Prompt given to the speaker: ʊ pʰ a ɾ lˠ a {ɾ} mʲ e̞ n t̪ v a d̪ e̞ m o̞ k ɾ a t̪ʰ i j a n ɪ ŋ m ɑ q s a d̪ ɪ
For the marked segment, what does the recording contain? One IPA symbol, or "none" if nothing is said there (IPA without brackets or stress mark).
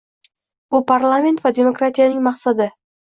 none